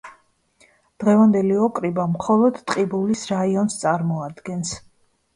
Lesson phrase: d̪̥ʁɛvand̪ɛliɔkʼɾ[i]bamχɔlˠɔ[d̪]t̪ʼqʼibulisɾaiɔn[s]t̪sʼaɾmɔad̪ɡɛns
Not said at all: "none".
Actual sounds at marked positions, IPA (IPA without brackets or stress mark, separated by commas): i, d̪, s